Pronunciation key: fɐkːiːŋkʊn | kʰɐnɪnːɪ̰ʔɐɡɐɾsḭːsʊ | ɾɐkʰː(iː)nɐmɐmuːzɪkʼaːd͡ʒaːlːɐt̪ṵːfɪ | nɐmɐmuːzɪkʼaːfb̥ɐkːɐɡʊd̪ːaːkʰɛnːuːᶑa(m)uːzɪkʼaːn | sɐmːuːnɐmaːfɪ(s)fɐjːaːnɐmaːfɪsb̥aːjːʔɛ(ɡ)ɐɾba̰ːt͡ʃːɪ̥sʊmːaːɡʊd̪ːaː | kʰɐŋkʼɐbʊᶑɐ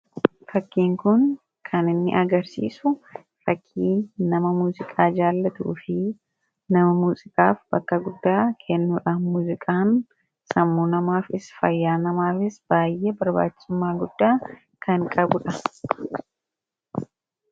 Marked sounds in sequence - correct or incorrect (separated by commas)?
correct, correct, correct, incorrect